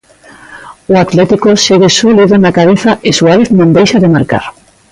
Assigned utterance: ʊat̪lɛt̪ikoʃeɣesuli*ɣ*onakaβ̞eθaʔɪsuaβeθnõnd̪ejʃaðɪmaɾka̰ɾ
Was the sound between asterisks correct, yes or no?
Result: no